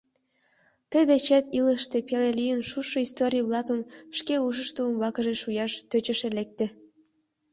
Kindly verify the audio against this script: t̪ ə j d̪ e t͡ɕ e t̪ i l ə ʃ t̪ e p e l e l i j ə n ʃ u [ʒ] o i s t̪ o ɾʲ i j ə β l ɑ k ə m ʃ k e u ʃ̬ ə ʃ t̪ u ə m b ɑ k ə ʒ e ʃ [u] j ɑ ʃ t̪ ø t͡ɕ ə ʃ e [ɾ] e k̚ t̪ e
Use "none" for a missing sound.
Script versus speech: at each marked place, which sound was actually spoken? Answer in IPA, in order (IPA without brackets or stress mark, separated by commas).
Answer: ʃ, u, l